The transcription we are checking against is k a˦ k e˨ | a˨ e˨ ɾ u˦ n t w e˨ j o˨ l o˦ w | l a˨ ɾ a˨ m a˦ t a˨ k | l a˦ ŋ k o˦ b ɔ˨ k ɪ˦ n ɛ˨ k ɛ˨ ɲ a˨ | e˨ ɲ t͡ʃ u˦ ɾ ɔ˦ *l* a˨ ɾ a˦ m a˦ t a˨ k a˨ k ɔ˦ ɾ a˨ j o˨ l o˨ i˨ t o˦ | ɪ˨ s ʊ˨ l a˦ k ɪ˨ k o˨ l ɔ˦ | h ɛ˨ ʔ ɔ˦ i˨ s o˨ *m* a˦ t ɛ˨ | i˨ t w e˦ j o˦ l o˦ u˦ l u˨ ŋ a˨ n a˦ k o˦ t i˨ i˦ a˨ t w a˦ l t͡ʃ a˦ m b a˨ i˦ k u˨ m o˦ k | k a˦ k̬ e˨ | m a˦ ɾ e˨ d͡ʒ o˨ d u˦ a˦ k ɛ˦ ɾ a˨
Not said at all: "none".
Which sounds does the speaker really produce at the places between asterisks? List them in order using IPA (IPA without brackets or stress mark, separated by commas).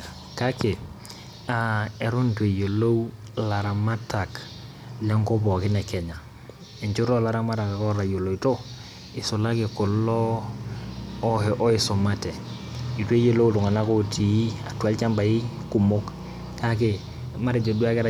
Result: l, m